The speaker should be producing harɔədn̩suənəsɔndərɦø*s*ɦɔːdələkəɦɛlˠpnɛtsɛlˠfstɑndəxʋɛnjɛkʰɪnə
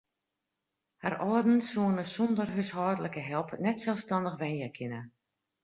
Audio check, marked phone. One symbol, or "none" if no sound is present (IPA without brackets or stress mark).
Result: s